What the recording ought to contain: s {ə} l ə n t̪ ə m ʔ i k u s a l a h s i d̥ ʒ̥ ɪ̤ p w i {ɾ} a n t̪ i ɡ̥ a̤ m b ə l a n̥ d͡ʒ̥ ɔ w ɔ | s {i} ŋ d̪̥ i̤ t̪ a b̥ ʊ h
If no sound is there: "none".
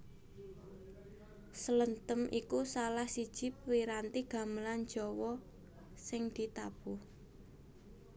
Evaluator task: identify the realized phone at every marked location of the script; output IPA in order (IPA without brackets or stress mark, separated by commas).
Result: ə, ɾ, ɪ